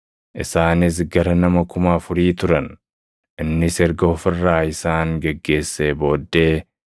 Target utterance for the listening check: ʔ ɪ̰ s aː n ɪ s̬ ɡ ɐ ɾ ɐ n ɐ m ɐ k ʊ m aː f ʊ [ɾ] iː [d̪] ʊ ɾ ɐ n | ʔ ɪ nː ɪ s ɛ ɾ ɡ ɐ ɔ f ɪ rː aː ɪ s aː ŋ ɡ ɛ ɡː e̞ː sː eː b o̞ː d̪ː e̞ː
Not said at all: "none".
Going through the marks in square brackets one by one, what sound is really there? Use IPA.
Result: ɾ, t̪

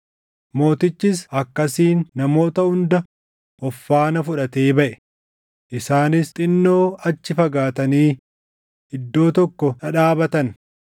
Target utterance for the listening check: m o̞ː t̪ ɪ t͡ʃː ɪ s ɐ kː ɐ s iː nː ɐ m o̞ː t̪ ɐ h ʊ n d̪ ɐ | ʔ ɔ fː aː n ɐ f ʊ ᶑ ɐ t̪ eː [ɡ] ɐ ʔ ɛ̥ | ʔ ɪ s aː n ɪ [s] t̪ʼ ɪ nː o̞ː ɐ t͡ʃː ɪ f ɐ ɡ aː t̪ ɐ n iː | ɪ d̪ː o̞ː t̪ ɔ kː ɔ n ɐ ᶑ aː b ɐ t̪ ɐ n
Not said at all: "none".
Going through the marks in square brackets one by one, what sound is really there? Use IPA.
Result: b, s

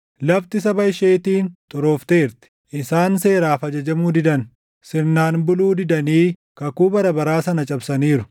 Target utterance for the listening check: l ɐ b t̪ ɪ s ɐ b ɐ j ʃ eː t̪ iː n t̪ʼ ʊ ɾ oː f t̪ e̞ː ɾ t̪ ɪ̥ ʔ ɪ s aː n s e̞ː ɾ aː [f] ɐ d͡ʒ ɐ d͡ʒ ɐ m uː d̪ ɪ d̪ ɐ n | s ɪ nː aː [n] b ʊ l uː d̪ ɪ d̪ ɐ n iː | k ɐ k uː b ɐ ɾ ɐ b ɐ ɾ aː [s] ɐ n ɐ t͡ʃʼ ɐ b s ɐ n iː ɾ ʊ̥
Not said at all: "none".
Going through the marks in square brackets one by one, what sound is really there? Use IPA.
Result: f, n, s

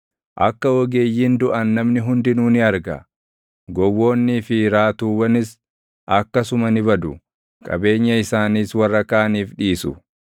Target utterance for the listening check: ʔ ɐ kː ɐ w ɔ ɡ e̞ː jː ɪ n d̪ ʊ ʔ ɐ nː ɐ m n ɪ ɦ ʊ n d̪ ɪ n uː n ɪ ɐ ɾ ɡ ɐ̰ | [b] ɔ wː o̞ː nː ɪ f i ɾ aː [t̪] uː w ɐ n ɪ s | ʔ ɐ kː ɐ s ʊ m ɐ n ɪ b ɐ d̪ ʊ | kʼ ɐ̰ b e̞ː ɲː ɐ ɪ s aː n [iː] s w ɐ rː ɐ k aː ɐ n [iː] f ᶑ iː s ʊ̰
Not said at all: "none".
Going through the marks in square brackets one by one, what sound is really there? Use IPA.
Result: ɡ, t̪, iː, iː

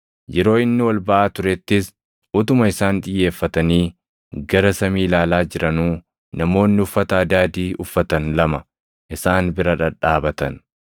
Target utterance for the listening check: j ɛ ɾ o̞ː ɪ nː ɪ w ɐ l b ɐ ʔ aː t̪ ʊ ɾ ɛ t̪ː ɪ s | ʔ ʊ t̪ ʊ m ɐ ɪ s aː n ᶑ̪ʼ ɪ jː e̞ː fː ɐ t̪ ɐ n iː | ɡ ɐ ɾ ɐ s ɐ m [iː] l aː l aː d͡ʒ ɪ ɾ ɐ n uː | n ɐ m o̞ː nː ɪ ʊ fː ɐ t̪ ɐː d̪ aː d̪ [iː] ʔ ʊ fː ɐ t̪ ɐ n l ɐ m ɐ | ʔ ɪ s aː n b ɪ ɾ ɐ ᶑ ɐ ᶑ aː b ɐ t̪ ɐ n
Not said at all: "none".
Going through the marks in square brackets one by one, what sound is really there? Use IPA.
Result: iː, iː

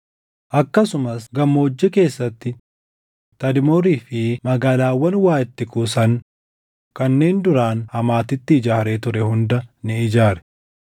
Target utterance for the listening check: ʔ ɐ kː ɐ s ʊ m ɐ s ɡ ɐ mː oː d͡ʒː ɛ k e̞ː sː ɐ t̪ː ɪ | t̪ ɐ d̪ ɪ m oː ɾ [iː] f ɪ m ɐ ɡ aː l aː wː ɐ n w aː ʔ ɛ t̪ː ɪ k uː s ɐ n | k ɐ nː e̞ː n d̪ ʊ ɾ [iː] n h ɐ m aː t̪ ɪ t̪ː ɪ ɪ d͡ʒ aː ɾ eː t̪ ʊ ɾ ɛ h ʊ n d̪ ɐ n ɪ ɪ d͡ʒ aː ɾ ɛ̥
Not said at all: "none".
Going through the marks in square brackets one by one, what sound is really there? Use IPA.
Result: iː, aː

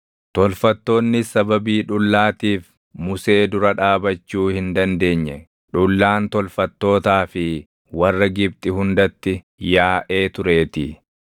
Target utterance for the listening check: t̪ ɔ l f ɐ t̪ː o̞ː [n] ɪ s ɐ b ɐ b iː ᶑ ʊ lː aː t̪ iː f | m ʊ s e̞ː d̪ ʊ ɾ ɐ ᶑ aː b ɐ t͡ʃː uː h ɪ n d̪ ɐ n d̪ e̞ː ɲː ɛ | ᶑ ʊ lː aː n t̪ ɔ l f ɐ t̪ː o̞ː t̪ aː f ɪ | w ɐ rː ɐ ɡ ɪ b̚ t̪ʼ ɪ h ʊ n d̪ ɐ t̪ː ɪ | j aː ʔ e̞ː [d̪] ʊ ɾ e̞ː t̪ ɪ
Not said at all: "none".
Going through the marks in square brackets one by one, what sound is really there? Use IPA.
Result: nː, t̪

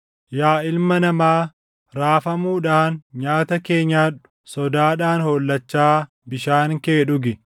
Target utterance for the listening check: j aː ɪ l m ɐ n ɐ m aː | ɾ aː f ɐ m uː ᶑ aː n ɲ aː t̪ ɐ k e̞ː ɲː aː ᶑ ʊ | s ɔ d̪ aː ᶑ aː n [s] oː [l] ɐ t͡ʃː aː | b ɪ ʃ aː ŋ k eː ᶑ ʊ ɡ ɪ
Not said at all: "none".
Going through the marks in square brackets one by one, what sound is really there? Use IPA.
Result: h, lː

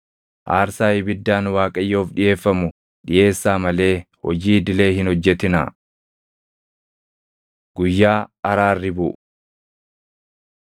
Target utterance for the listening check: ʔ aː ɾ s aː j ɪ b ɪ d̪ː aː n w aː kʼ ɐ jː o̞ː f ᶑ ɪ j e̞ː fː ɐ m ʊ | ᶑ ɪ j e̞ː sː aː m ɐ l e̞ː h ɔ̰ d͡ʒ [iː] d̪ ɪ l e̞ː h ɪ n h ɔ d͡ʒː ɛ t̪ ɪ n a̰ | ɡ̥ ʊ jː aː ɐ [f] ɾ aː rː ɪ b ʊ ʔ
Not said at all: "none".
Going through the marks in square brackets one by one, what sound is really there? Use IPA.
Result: iː, none

